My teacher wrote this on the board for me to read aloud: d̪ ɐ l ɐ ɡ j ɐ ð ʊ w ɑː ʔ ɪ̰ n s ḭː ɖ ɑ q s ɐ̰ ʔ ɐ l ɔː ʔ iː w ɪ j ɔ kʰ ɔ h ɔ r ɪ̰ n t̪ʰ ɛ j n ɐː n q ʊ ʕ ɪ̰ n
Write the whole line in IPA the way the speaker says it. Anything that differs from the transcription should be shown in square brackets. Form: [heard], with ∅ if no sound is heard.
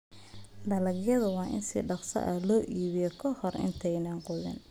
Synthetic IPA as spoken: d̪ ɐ l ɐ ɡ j ɐ ð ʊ w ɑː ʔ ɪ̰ n s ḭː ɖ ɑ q s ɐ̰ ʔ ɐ l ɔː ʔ iː [β] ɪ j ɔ kʰ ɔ h ɔ r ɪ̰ n t̪ʰ ɛ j n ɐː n q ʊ [ð] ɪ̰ n